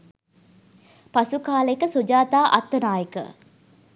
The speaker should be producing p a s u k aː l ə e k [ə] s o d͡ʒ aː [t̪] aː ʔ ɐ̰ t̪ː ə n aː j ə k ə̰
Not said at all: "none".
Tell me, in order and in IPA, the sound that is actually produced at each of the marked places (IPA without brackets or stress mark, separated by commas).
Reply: ə, t̪